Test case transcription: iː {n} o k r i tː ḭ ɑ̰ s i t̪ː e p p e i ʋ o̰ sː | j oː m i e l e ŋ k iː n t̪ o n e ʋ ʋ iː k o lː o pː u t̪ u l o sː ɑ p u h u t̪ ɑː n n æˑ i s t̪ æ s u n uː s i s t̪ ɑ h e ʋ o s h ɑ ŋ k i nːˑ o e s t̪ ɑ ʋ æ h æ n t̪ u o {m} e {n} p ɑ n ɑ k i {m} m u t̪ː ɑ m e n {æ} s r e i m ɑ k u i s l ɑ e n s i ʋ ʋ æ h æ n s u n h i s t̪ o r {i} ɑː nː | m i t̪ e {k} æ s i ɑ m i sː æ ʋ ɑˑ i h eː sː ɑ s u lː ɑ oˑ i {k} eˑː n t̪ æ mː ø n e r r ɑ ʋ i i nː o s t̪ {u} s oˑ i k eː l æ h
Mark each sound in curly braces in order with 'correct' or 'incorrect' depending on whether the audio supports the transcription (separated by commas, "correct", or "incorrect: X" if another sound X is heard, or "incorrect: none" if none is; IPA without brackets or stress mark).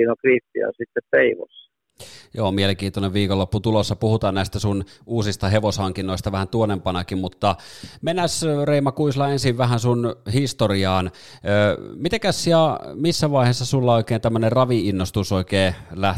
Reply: correct, incorrect: n, incorrect: m, correct, correct, correct, correct, correct, correct